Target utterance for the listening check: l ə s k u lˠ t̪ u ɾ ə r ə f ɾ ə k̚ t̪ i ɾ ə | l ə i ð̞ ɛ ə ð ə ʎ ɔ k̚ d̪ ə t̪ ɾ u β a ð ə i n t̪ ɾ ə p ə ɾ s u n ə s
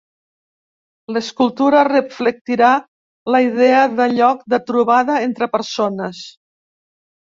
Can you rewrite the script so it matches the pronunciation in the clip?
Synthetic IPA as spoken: l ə s k u lˠ t̪ u ɾ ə r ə f l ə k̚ t̪ i ɾ a | l ə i ð̞ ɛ ə ð ə ʎ ɔ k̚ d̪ ə t̪ ɾ u β a ð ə e n t̪ ɾ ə p ə ɾ s o n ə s